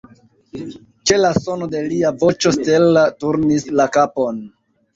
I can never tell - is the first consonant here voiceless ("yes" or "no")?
yes